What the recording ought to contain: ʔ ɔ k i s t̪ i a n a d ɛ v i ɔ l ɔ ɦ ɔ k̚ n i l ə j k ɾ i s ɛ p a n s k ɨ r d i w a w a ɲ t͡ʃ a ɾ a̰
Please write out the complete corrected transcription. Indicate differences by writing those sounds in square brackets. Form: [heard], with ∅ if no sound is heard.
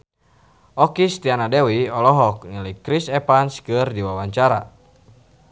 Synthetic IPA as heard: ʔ ɔ k i s t̪ i a n a d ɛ [w] i ɔ l ɔ ɦ ɔ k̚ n i l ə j k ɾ i s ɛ p a n s k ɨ r d i w a w a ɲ t͡ʃ a ɾ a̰

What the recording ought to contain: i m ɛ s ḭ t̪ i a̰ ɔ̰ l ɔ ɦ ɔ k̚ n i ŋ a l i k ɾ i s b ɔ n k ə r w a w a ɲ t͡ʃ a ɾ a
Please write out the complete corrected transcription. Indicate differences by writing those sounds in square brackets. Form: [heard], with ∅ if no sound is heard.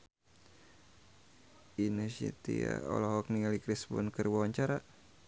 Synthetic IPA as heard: i [n] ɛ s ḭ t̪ i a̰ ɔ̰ l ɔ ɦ ɔ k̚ n i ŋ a l i k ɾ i s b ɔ n k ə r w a w a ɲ t͡ʃ a ɾ a

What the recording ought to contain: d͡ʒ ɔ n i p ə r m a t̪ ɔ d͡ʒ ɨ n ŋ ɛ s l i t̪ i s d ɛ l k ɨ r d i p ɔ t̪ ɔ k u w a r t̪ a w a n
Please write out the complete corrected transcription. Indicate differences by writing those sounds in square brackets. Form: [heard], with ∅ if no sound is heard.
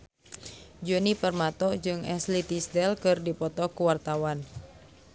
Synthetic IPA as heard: d͡ʒ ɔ n i p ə r m a t̪ ɔ d͡ʒ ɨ [∅] ŋ ɛ s l i t̪ i s d ɛ l k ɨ r d i p ɔ t̪ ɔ k u w a r t̪ a w a n

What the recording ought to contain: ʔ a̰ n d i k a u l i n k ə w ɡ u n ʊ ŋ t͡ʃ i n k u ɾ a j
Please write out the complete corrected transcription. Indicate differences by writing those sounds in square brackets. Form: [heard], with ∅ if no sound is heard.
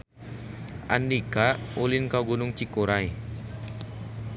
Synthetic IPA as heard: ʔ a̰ n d i k a u l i n k [a] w ɡ u n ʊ ŋ t͡ʃ i [∅] k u ɾ a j

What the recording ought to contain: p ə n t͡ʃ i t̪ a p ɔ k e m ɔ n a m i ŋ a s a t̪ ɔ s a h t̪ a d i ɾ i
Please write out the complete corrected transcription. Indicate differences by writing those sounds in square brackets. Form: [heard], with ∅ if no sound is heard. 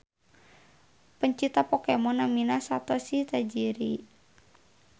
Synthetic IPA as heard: p ə [ɲ] t͡ʃ i t̪ a p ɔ k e m ɔ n a m i [n] a s a t̪ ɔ s [i] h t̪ a [d͡ʒ] i ɾ i

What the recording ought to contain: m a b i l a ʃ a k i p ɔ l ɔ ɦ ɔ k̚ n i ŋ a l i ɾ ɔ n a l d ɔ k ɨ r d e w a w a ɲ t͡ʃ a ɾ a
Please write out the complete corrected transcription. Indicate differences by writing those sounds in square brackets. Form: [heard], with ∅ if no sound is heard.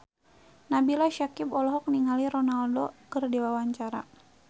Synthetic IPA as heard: [n] a b i l a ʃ a k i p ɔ l ɔ ɦ ɔ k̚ n i ŋ a l i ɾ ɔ n a l d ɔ k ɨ r d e w a w a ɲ t͡ʃ a ɾ a

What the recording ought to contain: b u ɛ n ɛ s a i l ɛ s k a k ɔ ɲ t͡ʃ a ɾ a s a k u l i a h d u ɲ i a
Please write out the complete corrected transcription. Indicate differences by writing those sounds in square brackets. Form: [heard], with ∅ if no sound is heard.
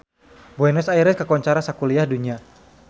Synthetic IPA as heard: b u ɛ n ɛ s a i [ɾ] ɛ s k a k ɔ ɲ t͡ʃ a ɾ a s a k u l i a h d u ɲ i a

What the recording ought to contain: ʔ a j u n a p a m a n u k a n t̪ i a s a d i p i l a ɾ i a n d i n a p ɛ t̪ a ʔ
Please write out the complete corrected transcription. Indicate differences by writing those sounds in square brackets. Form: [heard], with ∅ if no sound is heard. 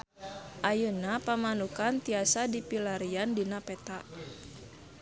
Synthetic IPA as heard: ʔ a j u n a p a m a n u k a n t̪ i a s a d i p i l a ɾ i a n d i n a p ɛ t̪ a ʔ

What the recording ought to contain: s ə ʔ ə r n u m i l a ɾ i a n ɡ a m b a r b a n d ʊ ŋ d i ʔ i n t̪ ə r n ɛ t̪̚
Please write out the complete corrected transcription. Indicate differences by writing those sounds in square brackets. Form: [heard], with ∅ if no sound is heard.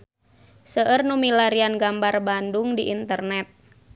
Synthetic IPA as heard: s ə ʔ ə r n u m i l a ɾ i a n ɡ a m b a r b a n d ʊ ŋ d i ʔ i n t̪ ə r n ɛ t̪̚

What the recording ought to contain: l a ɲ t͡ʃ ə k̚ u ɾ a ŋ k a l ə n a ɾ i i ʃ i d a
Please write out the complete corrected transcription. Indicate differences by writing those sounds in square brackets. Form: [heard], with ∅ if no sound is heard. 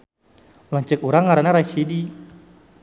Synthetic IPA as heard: l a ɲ t͡ʃ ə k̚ u ɾ a ŋ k a [ɾ] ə n a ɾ [a] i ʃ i d [i]

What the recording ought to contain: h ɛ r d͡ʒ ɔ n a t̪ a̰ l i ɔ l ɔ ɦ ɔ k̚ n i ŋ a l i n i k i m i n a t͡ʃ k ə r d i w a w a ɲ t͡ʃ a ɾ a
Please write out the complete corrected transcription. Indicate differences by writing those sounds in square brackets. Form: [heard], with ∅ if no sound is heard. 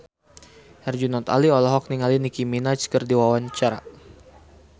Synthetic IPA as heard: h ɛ r d͡ʒ [u] n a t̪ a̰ l i ɔ l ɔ ɦ ɔ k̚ n i ŋ a l i n i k i m i n a t͡ʃ k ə r d i w a w a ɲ t͡ʃ a ɾ a

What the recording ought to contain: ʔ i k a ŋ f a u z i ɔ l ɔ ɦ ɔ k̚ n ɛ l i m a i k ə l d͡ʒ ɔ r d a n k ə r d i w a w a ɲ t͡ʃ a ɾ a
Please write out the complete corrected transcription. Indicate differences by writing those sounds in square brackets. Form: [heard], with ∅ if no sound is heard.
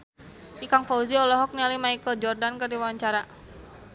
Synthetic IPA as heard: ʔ i k a ŋ f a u z i ɔ l ɔ ɦ ɔ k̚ n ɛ l i m a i k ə l d͡ʒ ɔ r d a n k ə r d i w a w a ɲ t͡ʃ a ɾ a

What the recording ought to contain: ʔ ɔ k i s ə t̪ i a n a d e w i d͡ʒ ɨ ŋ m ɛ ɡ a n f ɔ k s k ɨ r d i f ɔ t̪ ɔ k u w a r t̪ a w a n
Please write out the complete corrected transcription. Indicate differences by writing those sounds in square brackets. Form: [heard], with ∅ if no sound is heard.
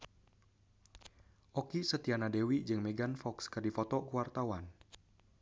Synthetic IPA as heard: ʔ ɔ k i s ə t̪ i a n a d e w i d͡ʒ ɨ ŋ m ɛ ɡ a n f ɔ k s k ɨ r d i f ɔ t̪ ɔ k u w a r t̪ a w a n

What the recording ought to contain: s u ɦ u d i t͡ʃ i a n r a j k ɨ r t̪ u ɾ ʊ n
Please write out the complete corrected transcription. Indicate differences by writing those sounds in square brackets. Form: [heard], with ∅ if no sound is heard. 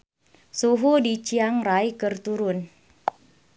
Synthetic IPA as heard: s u ɦ u d i t͡ʃ i a [ŋ] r a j k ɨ r t̪ u ɾ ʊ n

